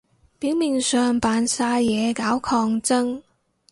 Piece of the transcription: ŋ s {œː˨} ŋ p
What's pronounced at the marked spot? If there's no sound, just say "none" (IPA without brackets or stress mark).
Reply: œː˨